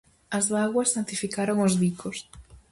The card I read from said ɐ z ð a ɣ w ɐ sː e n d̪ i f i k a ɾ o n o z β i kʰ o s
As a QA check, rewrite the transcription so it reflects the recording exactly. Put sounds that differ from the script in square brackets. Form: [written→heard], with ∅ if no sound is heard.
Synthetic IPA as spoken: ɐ z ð a ɣ w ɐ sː [e→a] n [d̪→t̪] i f i k a ɾ o [n→ŋ] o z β i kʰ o s